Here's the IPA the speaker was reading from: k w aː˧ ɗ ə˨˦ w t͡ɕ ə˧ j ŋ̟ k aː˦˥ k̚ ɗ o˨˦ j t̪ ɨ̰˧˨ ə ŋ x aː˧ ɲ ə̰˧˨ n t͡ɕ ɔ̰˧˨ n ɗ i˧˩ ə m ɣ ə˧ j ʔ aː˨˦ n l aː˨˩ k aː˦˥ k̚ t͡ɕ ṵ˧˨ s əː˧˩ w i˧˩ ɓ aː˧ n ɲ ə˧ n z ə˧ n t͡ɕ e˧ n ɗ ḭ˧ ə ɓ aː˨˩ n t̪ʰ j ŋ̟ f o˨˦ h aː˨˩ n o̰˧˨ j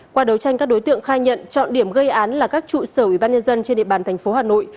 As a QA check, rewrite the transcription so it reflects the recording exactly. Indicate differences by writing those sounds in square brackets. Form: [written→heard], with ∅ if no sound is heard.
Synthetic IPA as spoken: k w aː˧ ɗ ə˨˦ w t͡ɕ [ə˧→a˧] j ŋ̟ k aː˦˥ k̚ ɗ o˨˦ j t̪ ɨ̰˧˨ ə ŋ x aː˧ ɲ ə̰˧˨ n t͡ɕ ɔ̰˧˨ n ɗ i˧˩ ə m ɣ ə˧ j ʔ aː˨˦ n l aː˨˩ k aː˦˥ k̚ t͡ɕ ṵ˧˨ s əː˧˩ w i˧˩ ɓ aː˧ n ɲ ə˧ n z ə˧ n t͡ɕ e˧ n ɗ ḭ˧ ə ɓ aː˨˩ n t̪ʰ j ŋ̟ f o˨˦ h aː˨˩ n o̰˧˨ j

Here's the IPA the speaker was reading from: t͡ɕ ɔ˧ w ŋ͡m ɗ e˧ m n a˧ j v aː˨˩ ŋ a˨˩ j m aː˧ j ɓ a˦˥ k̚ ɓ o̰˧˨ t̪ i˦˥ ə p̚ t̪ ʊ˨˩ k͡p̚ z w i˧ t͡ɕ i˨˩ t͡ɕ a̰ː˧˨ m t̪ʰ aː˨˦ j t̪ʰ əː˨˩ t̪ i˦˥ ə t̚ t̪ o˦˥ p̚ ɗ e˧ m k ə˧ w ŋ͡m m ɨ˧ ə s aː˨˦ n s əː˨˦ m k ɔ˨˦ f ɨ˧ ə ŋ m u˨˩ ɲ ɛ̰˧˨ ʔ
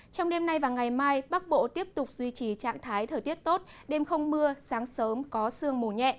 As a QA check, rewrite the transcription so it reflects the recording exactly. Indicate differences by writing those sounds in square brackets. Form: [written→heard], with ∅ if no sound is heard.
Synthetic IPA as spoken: t͡ɕ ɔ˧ w ŋ͡m ɗ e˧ m n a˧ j v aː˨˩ ŋ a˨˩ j m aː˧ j ɓ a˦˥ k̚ ɓ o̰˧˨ t̪ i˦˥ ə p̚ t̪ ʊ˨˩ k͡p̚ z w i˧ t͡ɕ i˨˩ t͡ɕ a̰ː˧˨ [m→ŋ] t̪ʰ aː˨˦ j t̪ʰ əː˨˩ t̪ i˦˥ ə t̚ t̪ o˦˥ [p̚→t̚] ɗ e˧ m [k→x] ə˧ w ŋ͡m m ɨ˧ ə s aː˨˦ [n→ŋ] s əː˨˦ m k ɔ˨˦ [f→s] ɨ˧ ə ŋ m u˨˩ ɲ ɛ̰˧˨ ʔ

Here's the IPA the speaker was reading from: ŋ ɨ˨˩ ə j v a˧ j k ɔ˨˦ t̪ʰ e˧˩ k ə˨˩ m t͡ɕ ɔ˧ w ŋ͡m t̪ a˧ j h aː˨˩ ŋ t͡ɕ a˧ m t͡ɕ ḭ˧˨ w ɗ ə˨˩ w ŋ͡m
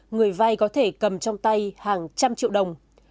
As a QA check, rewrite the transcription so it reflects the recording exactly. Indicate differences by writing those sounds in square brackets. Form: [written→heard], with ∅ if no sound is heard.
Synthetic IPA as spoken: ŋ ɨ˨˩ ə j v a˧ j k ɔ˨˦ t̪ʰ e˧˩ k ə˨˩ m t͡ɕ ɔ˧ w ŋ͡m t̪ a˧ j h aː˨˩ ŋ t͡ɕ a˧ m t͡ɕ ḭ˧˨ w ɗ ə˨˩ w ŋ͡m

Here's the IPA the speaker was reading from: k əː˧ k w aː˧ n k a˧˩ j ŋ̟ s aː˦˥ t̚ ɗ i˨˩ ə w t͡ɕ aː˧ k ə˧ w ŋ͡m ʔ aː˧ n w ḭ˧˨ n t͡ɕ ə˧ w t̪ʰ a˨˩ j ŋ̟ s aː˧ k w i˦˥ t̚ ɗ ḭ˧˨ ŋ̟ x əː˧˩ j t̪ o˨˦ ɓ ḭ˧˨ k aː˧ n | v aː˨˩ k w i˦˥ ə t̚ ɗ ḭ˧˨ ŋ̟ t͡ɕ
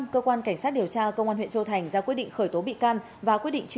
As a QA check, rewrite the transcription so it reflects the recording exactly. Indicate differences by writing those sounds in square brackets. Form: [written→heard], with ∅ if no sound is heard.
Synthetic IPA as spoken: k əː˧ k w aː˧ n k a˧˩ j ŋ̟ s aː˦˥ t̚ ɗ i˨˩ ə w t͡ɕ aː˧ k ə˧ w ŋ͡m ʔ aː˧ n w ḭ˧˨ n t͡ɕ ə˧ w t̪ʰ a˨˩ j ŋ̟ [s→z] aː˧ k w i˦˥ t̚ ɗ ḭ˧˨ ŋ̟ x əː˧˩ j t̪ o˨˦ ɓ ḭ˧˨ k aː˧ n | v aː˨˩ k w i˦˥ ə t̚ ɗ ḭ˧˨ ŋ̟ t͡ɕ

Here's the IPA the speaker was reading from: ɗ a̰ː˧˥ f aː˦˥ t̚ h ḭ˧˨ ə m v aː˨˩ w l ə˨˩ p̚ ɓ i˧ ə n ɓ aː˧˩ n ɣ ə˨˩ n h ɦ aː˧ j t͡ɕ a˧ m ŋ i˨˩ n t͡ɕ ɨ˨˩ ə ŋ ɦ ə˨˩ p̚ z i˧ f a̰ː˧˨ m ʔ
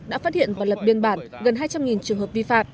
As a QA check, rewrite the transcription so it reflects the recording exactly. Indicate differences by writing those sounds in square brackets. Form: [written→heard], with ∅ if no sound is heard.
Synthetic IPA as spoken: ɗ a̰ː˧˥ f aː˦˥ t̚ h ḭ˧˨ ə [m→n] v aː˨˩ w l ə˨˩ p̚ ɓ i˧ ə n ɓ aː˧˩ n ɣ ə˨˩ n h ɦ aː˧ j t͡ɕ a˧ m ŋ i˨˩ n t͡ɕ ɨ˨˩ ə ŋ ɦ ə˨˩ p̚ [z→v] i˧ f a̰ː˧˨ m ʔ

